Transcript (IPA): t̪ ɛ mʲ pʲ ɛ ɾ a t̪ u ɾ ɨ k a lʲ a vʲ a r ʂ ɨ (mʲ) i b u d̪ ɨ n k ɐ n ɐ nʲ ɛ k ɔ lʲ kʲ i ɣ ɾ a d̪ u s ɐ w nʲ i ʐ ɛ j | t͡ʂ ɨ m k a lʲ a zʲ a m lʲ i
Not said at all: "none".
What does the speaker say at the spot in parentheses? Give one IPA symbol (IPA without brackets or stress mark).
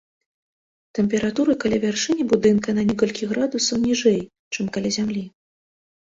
nʲ